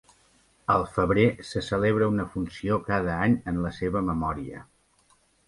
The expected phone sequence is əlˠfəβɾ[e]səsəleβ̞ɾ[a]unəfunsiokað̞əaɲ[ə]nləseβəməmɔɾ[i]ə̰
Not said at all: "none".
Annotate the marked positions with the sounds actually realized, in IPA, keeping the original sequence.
e, ə, ə, i

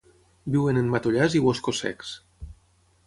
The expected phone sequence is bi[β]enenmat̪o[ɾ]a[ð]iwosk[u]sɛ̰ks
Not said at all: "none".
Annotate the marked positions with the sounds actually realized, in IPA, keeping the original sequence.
w, ʎ, z, o

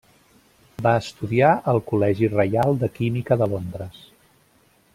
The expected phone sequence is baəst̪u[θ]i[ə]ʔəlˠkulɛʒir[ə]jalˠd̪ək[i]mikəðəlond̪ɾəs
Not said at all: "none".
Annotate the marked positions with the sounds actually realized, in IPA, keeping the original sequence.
ð, a, ə, i

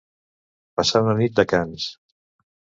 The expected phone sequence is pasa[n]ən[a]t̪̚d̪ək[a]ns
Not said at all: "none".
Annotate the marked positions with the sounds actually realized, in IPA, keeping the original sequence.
n, i, a

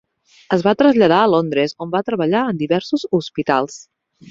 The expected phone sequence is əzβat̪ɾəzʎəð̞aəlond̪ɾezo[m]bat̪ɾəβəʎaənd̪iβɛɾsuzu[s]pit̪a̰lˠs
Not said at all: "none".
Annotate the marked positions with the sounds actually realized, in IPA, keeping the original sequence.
m, s

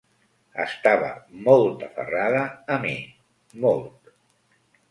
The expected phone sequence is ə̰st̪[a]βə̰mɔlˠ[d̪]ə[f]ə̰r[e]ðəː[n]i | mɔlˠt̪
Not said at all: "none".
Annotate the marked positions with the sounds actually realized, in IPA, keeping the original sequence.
a, t̪, f, a, m

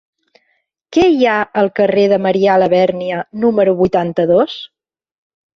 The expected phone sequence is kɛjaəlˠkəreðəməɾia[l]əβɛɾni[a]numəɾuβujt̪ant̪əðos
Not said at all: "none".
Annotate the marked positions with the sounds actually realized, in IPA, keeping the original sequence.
l, ə

